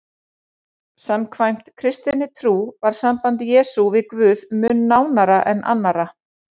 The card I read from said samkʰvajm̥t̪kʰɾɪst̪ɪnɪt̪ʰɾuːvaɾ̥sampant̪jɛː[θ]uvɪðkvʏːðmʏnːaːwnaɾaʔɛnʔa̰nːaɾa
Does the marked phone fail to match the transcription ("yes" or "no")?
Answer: yes